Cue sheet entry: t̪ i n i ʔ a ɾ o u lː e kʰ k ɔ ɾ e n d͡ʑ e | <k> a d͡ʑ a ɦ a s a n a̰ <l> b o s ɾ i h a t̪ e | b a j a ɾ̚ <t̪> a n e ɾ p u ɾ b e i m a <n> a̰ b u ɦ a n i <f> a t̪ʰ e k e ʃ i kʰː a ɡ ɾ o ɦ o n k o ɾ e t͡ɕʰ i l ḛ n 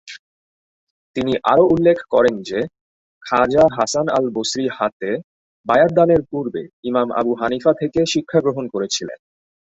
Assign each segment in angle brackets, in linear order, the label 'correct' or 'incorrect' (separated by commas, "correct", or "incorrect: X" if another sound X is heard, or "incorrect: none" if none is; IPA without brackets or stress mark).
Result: incorrect: kʰ, correct, incorrect: d̪, incorrect: m, correct